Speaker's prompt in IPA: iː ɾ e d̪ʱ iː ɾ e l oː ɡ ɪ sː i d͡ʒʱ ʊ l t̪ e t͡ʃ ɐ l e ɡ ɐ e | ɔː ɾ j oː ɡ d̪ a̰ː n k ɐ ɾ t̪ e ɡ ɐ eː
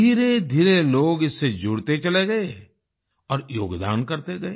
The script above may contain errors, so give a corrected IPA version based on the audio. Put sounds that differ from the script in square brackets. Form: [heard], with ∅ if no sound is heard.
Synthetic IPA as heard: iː ɾ e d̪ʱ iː ɾ e l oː ɡ ɪ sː [e] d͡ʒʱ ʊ [ɽ] t̪ e t͡ʃ ɐ l e ɡ ɐ e | ɔː ɾ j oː ɡ d̪ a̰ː n k ɐ ɾ t̪ e ɡ ɐ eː